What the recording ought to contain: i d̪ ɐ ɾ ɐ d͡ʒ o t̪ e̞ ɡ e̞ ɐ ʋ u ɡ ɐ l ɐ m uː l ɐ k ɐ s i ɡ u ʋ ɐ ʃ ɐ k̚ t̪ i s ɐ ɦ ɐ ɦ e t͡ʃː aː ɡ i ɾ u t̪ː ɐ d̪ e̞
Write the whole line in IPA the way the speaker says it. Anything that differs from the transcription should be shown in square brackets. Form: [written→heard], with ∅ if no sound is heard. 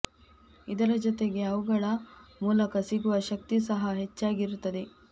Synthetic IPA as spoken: i d̪ ɐ ɾ ɐ d͡ʒ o t̪ e̞ ɡ e̞ ɐ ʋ u ɡ ɐ [l→ɭ] ɐ m uː l ɐ k ɐ s i ɡ u ʋ ɐ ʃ ɐ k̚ t̪ i s ɐ ɦ ɐ ɦ e t͡ʃː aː ɡ i ɾ u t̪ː ɐ d̪ e̞

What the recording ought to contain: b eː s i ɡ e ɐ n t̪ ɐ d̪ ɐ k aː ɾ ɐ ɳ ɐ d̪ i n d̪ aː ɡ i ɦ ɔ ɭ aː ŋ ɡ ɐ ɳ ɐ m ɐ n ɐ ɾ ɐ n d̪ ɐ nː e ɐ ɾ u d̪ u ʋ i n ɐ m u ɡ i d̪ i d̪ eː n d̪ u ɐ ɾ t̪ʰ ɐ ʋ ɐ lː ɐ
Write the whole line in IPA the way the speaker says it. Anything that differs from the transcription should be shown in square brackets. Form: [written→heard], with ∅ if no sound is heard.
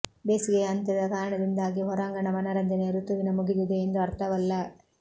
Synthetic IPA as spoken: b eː s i ɡ e ɐ n t̪ ɐ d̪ ɐ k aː ɾ ɐ ɳ ɐ d̪ i n d̪ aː ɡ i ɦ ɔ [ɭ→ɾ] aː ŋ ɡ ɐ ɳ ɐ m ɐ n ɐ ɾ ɐ n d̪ ɐ [nː→n] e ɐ ɾ u [d̪→t̪] u ʋ i n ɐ m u ɡ i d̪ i d̪ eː n d̪ u ɐ ɾ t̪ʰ ɐ ʋ ɐ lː ɐ

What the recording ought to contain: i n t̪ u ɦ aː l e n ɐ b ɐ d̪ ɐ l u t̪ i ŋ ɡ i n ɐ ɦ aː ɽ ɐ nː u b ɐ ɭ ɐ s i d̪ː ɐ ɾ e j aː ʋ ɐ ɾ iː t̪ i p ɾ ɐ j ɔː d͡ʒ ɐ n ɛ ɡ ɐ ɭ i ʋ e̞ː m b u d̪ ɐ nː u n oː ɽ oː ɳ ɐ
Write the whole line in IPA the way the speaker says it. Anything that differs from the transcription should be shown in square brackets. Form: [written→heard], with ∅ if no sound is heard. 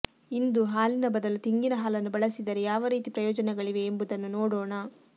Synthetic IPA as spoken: i n [t̪→d̪] u ɦ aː l [e→i] n ɐ b ɐ d̪ ɐ l u t̪ i ŋ ɡ i n ɐ ɦ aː [ɽ→l] ɐ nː u b ɐ ɭ ɐ s i [d̪ː→d̪] ɐ ɾ e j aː ʋ ɐ ɾ iː t̪ i p ɾ ɐ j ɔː d͡ʒ ɐ n ɛ ɡ ɐ ɭ i ʋ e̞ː m b u d̪ ɐ nː u n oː ɽ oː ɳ ɐ

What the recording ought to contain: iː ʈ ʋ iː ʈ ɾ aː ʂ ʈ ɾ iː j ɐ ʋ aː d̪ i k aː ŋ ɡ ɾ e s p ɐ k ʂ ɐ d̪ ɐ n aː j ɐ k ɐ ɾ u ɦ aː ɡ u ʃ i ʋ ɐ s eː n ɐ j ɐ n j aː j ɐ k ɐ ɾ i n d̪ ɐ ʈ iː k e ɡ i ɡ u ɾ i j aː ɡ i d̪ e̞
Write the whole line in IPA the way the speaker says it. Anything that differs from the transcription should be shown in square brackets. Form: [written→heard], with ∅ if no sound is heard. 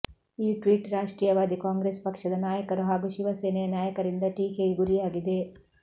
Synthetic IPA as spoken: iː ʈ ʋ iː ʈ ɾ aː ʂ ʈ ɾ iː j ɐ ʋ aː d̪ i k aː ŋ ɡ ɾ e s p ɐ k ʂ ɐ d̪ ɐ n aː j ɐ k ɐ ɾ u ɦ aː ɡ u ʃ i ʋ ɐ s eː n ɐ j ɐ n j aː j ɐ k ɐ ɾ i n d̪ ɐ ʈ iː k e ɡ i ɡ u ɾ i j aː ɡ i d̪ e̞

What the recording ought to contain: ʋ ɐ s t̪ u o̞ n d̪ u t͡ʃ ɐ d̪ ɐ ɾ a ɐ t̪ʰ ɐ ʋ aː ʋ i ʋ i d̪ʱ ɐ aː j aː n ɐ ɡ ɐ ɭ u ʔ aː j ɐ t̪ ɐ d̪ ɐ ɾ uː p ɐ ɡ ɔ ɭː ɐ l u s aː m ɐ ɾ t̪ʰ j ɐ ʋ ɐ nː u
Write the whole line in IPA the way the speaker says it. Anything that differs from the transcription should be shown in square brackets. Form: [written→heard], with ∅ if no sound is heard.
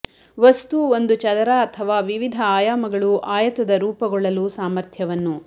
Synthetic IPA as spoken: ʋ ɐ s t̪ u o̞ n d̪ u t͡ʃ ɐ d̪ ɐ ɾ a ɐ t̪ʰ ɐ ʋ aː ʋ i ʋ i d̪ʱ ɐ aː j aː [n→m] ɐ ɡ ɐ ɭ u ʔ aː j ɐ t̪ ɐ d̪ ɐ ɾ uː p ɐ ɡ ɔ ɭː ɐ l u s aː m ɐ ɾ t̪ʰ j ɐ ʋ ɐ nː u

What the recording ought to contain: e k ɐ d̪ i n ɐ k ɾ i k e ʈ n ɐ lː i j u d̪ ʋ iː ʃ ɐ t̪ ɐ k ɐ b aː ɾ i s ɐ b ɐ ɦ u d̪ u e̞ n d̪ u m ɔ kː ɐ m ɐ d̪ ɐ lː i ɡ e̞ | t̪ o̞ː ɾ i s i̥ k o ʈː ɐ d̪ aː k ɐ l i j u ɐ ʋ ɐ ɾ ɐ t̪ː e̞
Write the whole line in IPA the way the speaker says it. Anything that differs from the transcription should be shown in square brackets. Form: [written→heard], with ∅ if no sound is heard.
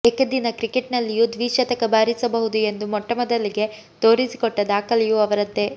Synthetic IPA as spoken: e k ɐ d̪ i n ɐ k ɾ i k e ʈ n ɐ lː i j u d̪ ʋ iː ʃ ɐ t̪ ɐ k ɐ b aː ɾ i s ɐ b ɐ ɦ u d̪ u e̞ n d̪ u m ɔ [kː→ʈː] ɐ m ɐ d̪ ɐ lː i ɡ e̞ | t̪ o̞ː ɾ i s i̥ k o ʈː ɐ d̪ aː k ɐ l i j u ɐ ʋ ɐ ɾ ɐ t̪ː e̞

